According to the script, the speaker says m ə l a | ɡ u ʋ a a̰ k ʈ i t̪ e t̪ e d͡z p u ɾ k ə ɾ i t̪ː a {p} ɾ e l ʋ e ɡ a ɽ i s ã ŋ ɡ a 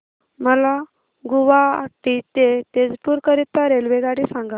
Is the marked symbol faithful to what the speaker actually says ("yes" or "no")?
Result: no